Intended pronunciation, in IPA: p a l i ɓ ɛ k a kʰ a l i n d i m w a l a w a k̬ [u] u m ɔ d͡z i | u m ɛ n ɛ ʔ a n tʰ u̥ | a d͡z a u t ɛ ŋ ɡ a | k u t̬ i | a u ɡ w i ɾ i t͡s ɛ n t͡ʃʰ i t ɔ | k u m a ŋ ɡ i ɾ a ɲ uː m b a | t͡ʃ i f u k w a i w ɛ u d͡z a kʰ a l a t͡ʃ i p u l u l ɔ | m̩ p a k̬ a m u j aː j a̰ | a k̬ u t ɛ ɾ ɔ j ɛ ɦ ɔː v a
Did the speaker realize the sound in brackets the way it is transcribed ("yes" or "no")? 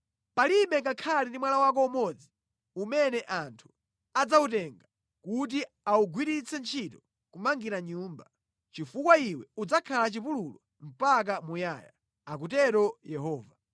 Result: no